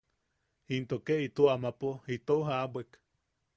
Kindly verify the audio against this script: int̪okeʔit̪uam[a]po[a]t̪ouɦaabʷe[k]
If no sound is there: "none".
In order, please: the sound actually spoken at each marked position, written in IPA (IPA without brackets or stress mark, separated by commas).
a, i, k